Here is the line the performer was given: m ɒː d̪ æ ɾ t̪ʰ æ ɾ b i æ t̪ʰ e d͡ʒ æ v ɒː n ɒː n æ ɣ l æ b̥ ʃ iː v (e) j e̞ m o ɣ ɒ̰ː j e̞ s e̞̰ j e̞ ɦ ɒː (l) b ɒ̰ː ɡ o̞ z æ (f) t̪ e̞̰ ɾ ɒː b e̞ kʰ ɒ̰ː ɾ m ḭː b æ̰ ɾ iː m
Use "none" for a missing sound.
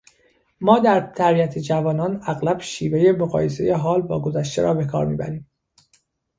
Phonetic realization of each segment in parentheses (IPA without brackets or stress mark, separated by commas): e, l, ʃ